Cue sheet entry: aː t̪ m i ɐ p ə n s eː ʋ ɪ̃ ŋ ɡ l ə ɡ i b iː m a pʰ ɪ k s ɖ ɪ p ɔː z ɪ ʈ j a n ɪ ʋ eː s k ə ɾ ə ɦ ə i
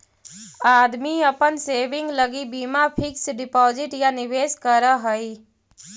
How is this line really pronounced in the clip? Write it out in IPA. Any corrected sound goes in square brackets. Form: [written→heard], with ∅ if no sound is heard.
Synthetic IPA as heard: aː [t̪→d̪] m i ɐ p ə n s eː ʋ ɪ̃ ŋ ɡ l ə ɡ i b iː m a pʰ ɪ k s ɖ ɪ p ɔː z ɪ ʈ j a n ɪ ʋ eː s k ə ɾ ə ɦ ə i